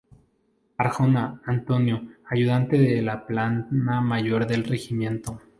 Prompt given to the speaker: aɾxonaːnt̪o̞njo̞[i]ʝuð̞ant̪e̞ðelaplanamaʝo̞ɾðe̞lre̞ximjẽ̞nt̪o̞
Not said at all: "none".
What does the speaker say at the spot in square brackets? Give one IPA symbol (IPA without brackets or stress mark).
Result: a